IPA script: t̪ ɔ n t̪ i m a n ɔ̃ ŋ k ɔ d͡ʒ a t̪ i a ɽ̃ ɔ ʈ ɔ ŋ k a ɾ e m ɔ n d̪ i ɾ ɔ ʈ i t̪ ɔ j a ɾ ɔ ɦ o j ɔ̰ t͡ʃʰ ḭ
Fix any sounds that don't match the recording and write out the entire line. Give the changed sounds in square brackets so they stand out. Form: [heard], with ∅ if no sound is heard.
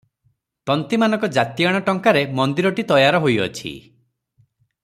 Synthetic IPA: t̪ ɔ n t̪ i m a n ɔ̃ ŋ k ɔ d͡ʒ a t̪ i a ɽ̃ ɔ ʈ ɔ ŋ k a ɾ e m ɔ n d̪ i ɾ ɔ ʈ i t̪ ɔ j a ɾ ɔ ɦ o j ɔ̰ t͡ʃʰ ḭ